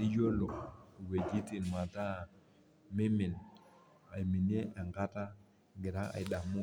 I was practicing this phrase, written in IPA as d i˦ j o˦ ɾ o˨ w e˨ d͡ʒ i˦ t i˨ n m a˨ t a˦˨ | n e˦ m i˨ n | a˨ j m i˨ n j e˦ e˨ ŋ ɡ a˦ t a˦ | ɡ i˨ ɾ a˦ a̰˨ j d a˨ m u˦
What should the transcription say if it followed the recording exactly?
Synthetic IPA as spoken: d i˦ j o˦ l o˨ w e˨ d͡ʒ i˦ t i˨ n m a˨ t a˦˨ | m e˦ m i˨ n | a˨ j m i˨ n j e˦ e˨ ŋ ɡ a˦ t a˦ | ɡ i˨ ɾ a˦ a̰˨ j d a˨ m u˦